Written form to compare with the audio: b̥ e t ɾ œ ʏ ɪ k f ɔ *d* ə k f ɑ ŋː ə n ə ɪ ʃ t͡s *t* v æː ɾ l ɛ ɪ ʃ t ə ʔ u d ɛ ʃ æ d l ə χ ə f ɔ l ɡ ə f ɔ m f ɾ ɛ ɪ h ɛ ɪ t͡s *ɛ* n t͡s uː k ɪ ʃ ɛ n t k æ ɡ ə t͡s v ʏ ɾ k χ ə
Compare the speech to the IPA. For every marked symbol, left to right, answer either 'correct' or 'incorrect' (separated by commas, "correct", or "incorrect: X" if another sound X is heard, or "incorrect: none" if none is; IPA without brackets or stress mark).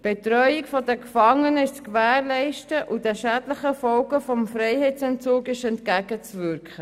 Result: correct, incorrect: k, correct